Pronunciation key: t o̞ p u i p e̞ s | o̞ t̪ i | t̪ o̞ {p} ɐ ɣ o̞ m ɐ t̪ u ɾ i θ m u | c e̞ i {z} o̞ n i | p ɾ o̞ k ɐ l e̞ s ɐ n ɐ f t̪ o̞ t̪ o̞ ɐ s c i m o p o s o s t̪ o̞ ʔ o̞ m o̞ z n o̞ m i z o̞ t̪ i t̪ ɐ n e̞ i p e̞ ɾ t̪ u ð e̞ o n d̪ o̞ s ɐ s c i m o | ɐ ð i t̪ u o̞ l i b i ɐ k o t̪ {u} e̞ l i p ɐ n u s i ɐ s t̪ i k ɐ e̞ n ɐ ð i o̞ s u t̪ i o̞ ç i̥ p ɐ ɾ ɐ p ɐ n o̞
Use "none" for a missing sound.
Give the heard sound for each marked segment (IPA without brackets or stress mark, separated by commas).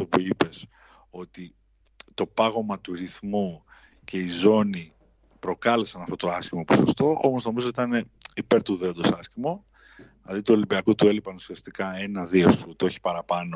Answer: p, z, u